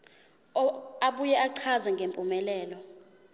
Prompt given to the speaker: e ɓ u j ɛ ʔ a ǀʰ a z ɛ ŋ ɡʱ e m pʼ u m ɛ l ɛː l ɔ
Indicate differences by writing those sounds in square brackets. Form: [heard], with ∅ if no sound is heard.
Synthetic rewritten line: [a] ɓ u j ɛ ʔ a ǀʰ a z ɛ ŋ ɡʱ e m pʼ u m ɛ l ɛː l ɔ